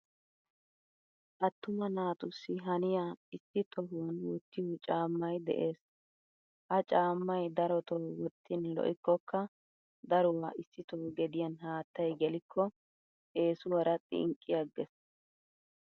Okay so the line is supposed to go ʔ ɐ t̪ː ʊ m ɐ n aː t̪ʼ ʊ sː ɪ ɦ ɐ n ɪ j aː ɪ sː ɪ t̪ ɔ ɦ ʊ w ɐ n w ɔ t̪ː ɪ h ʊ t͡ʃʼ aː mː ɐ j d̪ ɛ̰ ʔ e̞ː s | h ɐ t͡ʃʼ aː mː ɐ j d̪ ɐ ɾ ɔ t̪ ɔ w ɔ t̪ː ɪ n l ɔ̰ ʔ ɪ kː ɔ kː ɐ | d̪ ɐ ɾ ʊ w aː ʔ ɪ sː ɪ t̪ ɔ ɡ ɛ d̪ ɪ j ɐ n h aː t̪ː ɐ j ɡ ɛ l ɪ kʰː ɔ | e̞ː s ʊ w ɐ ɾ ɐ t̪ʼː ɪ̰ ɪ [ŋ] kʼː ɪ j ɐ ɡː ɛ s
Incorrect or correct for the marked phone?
correct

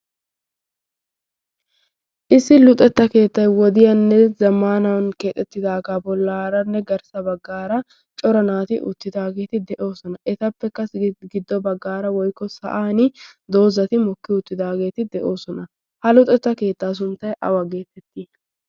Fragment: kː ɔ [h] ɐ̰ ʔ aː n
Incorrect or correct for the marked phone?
incorrect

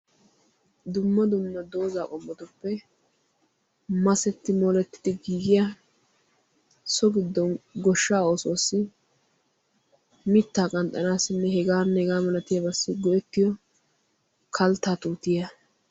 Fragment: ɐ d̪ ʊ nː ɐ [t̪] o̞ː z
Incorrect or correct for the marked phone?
incorrect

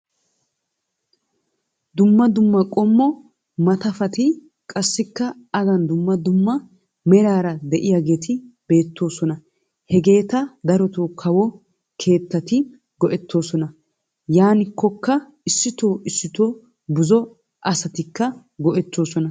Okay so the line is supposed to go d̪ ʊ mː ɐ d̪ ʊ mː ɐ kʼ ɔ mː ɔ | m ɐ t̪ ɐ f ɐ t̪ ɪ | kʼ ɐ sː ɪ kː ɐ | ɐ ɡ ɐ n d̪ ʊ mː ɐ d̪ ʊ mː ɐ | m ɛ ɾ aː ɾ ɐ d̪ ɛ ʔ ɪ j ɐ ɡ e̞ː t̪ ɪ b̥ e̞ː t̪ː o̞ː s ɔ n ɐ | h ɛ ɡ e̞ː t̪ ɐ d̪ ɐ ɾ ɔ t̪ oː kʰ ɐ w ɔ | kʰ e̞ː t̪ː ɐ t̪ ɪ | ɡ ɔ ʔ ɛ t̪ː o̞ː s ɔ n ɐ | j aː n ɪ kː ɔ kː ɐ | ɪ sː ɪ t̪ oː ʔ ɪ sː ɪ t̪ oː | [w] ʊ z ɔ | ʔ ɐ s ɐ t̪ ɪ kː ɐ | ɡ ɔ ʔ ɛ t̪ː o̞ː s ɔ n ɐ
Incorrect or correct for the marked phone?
incorrect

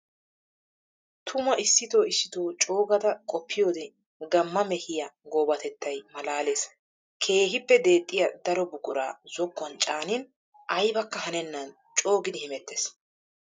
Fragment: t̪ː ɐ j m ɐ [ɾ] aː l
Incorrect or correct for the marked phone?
incorrect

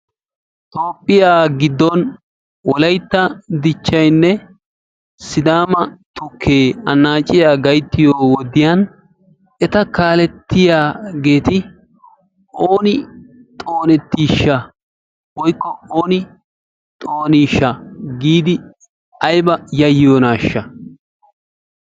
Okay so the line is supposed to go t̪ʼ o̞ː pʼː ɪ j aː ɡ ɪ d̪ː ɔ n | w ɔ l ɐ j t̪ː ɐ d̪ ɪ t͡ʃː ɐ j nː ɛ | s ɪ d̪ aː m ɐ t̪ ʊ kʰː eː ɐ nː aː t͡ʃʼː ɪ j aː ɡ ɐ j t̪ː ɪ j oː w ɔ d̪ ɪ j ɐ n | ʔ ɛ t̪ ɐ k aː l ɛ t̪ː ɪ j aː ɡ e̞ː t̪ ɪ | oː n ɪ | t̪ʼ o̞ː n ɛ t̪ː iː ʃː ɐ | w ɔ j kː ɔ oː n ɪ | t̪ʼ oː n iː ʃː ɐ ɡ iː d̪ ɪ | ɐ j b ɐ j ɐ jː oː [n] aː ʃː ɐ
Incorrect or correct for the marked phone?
correct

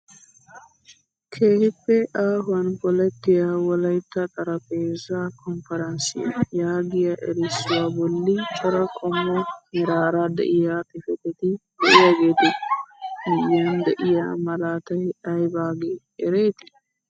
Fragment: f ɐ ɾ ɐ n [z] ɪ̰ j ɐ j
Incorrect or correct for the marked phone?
incorrect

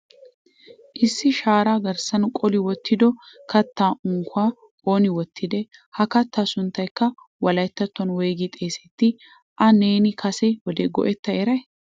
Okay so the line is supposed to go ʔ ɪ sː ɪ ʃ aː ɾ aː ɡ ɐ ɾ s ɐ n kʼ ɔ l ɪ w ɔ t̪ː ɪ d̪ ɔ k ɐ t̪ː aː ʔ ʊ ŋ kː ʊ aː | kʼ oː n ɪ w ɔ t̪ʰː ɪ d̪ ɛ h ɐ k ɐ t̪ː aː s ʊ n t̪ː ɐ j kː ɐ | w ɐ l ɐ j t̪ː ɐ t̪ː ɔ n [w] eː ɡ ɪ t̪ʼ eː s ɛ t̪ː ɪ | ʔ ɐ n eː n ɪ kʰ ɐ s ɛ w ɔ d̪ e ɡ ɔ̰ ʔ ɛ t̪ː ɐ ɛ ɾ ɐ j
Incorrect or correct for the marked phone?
correct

